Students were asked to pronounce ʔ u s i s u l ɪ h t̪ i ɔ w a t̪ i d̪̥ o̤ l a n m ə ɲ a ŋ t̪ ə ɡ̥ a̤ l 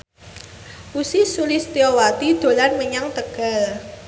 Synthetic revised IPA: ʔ u s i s u l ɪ s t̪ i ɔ w a t̪ i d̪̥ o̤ l a n m ə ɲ a ŋ t̪ ə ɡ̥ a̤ l

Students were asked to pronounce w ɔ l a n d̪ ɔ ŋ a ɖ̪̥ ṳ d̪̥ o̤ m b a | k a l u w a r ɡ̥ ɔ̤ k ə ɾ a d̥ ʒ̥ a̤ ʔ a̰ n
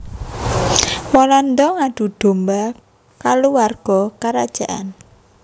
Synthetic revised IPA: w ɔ l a n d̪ ɔ ŋ a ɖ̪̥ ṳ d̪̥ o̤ m b a | k a l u w a r ɡ̥ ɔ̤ k a ɾ a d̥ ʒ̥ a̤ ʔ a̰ n

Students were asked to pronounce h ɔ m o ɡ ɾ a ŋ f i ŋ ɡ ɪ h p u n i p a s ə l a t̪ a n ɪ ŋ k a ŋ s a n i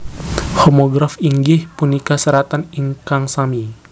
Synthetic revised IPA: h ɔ m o ɡ ɾ a f i ŋ ɡ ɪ h p u n i k a s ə ɾ a t̪ a n i ŋ k a ŋ s a m i

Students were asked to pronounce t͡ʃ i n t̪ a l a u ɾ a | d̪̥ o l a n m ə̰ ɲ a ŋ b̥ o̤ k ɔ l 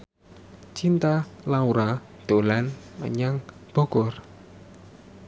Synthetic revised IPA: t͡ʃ i n t̪ a l a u ɾ a | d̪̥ o l a n m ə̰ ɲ a ŋ b̥ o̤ k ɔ r

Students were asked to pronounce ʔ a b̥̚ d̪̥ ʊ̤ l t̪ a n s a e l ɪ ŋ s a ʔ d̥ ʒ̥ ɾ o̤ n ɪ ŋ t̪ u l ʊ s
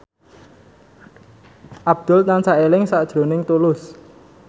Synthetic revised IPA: ʔ a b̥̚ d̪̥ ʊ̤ l t̪ a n s a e l ɪ ŋ s a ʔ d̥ ʒ̥ ɾ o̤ n ɪ ŋ t̪ u l ʊ s

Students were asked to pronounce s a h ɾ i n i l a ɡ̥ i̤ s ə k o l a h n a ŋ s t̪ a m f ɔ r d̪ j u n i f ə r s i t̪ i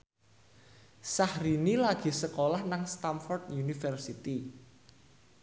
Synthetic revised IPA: s a h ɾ i n i l a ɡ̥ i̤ s ə k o l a h n a ŋ s t̪ a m f ɔ r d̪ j u n i f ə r s i t̪ i

